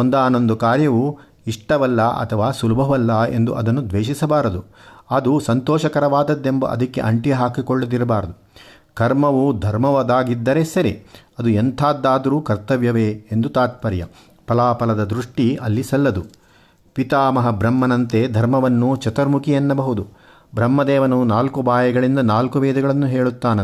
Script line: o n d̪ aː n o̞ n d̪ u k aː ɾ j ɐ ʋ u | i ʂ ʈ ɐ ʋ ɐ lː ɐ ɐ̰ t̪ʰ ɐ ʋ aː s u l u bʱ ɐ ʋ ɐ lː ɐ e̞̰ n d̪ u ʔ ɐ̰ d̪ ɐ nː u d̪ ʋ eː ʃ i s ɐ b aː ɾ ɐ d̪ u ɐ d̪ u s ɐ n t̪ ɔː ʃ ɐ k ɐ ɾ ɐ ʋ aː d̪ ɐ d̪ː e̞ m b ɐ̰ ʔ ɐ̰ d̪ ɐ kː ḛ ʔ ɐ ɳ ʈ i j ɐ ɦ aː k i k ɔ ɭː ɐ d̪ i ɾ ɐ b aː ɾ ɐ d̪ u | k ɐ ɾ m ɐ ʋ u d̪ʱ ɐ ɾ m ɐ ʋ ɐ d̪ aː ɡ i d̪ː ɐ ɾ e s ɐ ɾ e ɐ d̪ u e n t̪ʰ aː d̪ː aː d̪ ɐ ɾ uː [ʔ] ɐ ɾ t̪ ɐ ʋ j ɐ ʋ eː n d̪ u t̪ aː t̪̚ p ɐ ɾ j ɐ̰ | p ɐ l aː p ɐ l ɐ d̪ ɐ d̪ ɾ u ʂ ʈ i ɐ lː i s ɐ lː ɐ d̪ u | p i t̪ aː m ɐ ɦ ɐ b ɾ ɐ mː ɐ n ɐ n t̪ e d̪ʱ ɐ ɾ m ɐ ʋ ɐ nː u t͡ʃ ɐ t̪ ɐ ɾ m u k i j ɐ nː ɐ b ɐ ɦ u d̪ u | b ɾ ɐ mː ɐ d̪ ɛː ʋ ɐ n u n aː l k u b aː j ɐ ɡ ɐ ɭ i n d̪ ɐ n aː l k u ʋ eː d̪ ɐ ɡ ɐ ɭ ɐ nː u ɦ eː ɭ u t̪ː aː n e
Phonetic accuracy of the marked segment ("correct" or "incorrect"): incorrect